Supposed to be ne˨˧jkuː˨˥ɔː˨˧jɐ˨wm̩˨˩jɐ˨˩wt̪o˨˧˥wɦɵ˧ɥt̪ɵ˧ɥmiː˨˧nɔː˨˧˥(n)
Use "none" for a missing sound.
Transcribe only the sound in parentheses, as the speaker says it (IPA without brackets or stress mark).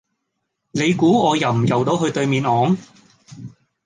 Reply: ŋ